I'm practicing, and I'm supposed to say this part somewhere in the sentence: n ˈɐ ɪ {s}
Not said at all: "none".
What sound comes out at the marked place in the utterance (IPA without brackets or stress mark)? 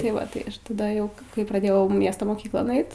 t